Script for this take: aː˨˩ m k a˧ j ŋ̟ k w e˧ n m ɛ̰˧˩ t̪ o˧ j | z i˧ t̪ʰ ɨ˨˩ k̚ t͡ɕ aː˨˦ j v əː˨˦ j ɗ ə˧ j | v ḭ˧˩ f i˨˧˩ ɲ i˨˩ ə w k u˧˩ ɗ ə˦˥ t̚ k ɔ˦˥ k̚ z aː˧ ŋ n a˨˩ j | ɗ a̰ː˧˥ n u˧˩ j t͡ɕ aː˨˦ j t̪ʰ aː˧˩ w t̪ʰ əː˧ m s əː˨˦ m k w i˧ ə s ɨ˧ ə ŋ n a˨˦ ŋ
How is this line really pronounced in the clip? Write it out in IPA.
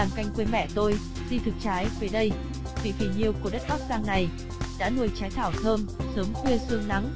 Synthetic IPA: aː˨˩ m k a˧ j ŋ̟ k w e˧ n m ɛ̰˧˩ t̪ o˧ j | z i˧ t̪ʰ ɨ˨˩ k̚ t͡ɕ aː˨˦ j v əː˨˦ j ɗ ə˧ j | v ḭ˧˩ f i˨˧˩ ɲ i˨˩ ə w k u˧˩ ɗ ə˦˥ t̚ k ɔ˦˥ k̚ z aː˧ ŋ n a˨˩ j | ɗ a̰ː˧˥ n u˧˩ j t͡ɕ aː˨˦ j t̪ʰ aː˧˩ w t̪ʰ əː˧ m s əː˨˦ m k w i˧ ə s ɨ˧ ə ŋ n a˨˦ ŋ